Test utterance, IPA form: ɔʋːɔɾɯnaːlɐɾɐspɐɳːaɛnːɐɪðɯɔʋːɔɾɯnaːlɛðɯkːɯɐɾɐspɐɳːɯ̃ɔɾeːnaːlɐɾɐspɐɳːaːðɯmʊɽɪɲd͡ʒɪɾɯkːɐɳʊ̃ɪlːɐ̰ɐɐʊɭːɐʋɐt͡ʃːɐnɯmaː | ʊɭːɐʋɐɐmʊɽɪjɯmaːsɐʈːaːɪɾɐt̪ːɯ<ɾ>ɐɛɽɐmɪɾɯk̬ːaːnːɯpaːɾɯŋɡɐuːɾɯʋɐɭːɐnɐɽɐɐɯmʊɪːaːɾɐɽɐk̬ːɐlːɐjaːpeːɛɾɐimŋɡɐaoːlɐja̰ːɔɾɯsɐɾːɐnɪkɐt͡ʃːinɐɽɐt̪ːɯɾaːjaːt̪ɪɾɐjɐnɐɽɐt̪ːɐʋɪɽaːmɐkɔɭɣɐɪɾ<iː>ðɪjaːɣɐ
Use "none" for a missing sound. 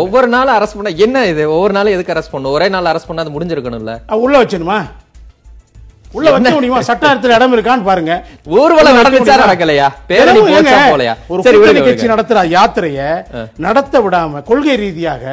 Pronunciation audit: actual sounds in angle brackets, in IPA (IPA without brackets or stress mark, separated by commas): l, iː